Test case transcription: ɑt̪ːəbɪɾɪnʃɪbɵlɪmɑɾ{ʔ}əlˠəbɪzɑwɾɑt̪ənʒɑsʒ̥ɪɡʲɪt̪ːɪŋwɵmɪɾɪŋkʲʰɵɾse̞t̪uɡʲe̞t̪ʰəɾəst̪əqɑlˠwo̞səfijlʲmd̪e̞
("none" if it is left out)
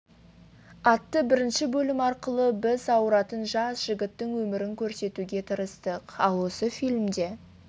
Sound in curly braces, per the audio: q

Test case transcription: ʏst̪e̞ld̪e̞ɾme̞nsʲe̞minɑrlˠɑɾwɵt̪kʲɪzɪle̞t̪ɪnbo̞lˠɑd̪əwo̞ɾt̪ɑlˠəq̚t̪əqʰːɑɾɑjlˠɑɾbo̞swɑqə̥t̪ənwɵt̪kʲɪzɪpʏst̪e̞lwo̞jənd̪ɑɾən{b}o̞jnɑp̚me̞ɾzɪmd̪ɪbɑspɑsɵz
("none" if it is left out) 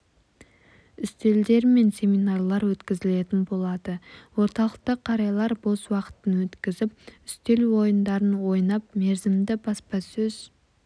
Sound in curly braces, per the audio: w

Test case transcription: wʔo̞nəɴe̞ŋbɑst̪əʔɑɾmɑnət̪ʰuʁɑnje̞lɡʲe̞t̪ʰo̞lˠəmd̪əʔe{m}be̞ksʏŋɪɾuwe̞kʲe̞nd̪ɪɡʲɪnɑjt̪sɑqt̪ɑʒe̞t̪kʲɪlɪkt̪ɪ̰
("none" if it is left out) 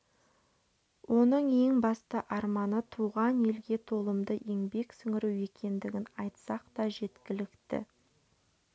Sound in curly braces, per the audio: ŋ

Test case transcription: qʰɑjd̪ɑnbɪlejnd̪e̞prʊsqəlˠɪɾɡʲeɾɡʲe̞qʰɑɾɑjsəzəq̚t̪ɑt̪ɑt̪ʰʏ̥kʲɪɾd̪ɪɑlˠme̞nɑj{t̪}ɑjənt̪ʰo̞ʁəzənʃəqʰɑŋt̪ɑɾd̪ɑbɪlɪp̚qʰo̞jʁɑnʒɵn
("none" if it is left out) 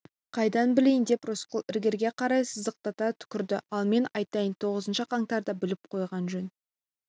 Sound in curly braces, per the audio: t̪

